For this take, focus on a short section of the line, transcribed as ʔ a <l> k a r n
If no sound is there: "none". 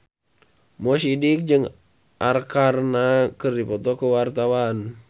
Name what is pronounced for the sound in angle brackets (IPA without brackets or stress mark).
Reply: r